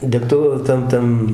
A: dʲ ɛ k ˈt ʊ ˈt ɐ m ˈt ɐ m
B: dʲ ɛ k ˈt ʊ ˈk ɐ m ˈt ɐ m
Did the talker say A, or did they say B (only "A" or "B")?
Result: A